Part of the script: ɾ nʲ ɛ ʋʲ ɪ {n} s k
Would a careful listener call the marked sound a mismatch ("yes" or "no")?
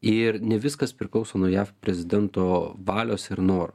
yes